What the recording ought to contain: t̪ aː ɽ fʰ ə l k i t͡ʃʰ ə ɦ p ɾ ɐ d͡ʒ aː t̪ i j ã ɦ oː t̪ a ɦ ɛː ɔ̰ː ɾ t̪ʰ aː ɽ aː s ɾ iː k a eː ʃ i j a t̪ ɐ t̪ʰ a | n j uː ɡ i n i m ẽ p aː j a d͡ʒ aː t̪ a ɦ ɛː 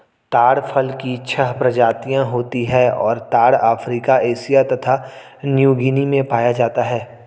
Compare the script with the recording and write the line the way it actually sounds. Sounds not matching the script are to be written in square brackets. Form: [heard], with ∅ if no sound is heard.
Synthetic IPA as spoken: t̪ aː ɽ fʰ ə l k i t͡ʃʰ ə ɦ p ɾ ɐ d͡ʒ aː t̪ i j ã ɦ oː t̪ [i] ɦ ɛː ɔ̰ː ɾ [t̪] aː ɽ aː [f] ɾ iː k a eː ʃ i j a t̪ ɐ t̪ʰ a | n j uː ɡ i n i m ẽ p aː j a d͡ʒ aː t̪ a ɦ ɛː